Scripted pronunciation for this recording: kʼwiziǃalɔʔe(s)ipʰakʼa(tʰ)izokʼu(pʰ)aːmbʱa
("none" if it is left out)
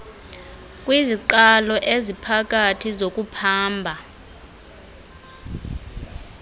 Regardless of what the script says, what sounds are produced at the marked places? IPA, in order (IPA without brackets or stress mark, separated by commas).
z, tʰ, pʰ